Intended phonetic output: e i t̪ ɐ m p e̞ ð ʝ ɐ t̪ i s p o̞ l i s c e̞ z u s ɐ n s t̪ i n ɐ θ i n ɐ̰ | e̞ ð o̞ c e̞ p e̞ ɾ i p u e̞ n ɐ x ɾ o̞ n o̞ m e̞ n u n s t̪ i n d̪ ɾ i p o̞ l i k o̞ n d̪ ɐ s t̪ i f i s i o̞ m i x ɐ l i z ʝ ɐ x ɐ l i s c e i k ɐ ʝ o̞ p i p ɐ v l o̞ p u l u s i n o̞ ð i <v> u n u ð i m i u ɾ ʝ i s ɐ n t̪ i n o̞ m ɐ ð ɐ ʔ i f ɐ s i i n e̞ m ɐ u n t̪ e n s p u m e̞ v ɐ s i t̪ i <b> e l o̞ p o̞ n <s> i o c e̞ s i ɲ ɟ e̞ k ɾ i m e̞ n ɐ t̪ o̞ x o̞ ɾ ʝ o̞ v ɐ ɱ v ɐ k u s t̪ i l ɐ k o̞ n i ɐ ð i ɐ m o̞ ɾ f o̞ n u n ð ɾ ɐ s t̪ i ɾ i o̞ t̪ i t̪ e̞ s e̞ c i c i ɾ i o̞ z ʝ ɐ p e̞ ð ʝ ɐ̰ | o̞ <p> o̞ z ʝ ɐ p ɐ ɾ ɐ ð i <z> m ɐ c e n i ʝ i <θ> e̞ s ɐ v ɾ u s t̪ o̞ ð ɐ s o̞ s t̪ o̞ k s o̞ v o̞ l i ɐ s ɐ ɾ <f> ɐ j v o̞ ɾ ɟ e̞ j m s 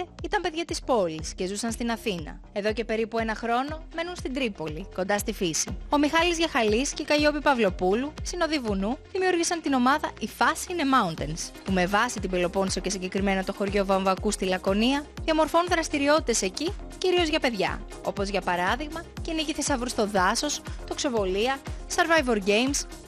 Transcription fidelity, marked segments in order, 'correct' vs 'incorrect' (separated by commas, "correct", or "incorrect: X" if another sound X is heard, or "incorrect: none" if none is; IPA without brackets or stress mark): correct, correct, correct, correct, incorrect: ɣ, correct, incorrect: v